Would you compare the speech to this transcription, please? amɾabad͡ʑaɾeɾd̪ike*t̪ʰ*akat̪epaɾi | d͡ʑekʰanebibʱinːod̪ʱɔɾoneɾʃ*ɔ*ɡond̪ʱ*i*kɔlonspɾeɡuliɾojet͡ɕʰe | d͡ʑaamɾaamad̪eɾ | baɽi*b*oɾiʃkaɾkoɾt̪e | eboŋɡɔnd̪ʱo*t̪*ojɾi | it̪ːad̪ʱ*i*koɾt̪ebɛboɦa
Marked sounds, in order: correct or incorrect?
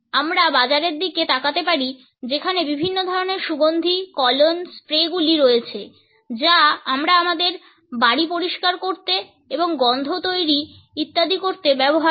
incorrect: t̪, incorrect: u, correct, incorrect: p, correct, correct

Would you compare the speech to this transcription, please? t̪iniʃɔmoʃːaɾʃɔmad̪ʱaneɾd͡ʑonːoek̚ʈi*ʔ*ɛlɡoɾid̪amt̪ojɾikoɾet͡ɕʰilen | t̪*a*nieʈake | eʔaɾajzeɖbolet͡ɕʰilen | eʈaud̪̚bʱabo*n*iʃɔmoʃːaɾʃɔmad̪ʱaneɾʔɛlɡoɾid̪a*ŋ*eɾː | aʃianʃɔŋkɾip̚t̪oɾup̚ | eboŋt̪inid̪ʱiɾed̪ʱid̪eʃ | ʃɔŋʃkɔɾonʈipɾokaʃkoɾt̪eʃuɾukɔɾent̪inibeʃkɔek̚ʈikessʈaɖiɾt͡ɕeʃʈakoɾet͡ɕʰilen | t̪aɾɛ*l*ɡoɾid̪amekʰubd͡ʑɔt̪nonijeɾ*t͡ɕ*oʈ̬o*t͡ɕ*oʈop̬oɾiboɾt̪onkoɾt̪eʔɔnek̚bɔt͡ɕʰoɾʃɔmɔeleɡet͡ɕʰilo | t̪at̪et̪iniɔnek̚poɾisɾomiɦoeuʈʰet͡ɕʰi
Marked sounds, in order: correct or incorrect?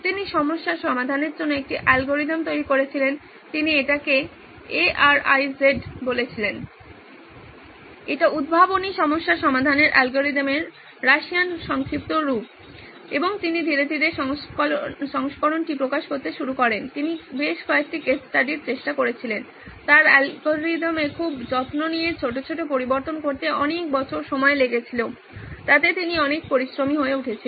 correct, incorrect: i, correct, incorrect: m, correct, incorrect: t͡ɕʰ, incorrect: t͡ɕʰ

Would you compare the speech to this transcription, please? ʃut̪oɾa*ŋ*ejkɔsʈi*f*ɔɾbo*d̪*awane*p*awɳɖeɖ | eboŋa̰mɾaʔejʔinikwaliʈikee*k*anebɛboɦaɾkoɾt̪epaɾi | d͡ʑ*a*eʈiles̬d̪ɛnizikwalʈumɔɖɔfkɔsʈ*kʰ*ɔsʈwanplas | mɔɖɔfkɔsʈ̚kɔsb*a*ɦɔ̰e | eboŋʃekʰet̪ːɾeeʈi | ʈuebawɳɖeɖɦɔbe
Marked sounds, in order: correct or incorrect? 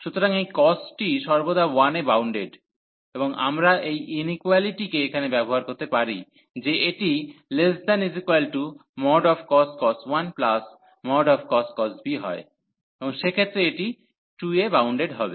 correct, incorrect: ʃ, correct, incorrect: b, incorrect: kʰ, incorrect: e, incorrect: k, incorrect: i

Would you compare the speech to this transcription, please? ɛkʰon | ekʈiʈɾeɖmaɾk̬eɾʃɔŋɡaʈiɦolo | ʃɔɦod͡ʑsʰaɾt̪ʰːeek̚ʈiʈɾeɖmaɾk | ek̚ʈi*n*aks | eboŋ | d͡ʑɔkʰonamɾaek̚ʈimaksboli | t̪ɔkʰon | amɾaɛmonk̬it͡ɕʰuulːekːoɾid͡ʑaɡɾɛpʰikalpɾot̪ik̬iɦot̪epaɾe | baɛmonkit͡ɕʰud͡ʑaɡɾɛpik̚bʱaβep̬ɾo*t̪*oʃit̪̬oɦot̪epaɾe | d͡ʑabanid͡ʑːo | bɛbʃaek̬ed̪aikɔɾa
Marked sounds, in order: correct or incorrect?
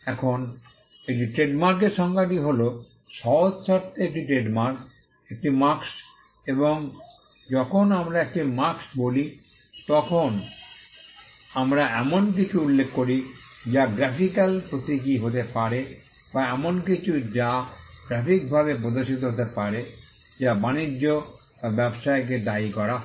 incorrect: m, incorrect: d̪

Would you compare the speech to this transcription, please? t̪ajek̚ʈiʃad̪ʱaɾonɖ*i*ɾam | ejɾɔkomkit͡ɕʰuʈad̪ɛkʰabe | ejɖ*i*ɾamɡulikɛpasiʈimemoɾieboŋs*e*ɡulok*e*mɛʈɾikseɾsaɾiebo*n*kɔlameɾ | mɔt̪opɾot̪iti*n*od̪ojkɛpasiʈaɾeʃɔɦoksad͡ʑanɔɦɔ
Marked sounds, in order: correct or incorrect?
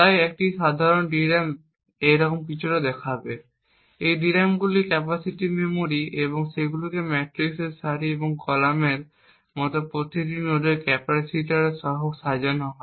correct, correct, correct, correct, incorrect: ŋ, correct

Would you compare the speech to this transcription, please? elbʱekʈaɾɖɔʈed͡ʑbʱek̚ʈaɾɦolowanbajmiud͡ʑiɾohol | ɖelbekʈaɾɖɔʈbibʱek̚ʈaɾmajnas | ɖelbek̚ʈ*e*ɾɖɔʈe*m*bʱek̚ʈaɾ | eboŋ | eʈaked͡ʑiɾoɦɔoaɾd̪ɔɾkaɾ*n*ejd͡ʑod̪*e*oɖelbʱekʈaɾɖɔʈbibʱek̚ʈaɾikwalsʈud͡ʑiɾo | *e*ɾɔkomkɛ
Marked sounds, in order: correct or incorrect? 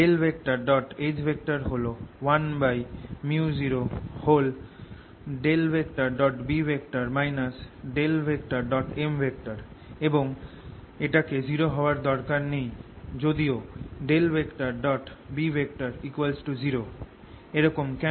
incorrect: a, correct, correct, incorrect: i, correct

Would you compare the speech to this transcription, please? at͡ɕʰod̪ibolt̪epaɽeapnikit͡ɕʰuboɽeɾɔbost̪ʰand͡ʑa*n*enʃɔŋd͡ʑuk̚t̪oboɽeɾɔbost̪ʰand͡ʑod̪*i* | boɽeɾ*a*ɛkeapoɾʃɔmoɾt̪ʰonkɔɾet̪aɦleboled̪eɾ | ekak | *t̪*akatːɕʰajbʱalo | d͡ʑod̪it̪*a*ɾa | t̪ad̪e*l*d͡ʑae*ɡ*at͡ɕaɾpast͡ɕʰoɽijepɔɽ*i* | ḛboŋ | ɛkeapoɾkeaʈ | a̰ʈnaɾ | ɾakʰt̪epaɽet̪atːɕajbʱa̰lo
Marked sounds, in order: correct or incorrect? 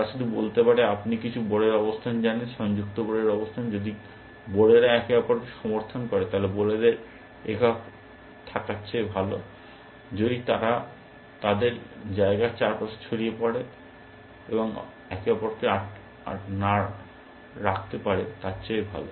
correct, correct, correct, incorrect: t̪ʰ, correct, incorrect: ɾ, correct, incorrect: e

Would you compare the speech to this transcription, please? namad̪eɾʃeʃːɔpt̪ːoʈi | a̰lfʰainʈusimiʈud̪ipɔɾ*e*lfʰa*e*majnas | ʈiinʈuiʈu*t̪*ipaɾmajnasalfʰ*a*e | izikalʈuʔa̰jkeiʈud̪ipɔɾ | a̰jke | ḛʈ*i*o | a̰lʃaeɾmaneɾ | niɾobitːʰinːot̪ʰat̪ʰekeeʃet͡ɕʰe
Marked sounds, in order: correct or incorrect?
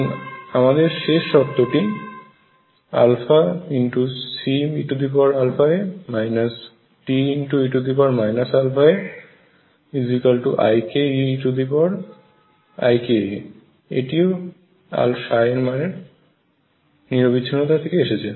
incorrect: a, correct, incorrect: d̪, correct, correct

